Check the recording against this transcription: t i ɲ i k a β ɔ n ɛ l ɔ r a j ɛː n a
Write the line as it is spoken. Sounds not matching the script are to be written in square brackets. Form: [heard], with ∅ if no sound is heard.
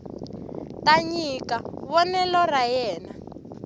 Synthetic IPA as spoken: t [a] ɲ i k a β ɔ n ɛ l ɔ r a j ɛː n a

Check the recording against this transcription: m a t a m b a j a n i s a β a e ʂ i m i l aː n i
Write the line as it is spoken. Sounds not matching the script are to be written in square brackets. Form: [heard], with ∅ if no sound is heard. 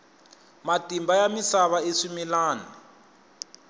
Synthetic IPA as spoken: m a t [i] m b a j a [m] i s a β a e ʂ i m i l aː n i

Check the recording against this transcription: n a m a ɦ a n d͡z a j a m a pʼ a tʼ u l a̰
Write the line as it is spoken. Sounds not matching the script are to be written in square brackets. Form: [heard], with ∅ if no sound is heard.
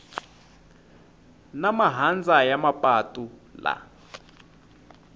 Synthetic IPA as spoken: n a m a ɦ a n d͡z a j a m a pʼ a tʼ u l a̰

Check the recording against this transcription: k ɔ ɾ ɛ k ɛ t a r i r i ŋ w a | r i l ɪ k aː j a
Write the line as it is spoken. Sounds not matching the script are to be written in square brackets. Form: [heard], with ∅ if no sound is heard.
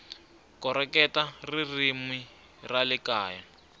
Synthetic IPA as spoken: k ɔ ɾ ɛ k ɛ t a r i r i [m] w [i] | r [a] l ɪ k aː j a

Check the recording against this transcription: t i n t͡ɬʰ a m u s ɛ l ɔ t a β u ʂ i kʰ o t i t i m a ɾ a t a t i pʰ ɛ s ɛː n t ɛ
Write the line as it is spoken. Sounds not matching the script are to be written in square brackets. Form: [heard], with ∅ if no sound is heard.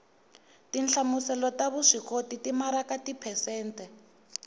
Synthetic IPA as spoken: t i n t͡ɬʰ a m u s ɛ l ɔ t a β u ʂ i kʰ o t i t i m a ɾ a [k] a t i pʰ ɛ s ɛː n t ɛ

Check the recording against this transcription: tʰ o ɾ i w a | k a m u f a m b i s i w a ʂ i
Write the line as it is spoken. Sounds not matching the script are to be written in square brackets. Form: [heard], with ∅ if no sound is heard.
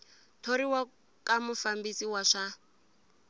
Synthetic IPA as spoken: tʰ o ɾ i w a | k a m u f a m b i s i w a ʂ [a]

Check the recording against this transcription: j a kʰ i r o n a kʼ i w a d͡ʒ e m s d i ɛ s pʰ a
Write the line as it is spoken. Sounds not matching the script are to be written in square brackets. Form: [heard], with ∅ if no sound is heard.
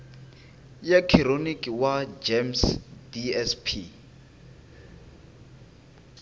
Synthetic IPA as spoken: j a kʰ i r o n [i] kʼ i w a d͡ʒ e m s d i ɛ s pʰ [i]

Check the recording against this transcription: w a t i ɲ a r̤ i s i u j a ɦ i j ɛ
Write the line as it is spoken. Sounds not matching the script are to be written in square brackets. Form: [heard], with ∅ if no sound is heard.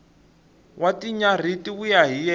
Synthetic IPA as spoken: w a t i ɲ a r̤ i [t] i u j a ɦ i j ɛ

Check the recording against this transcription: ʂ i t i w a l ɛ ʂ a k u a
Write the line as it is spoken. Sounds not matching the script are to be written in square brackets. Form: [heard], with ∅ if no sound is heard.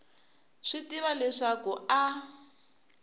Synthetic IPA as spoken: ʂ i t i [β] a l ɛ ʂ a k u a

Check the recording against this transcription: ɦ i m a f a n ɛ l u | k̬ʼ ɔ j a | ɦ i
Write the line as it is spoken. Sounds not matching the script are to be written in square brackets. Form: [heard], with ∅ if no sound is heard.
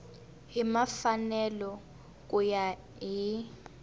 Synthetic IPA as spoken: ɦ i m a f a n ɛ l [ɔ] | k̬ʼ [u] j a | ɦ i

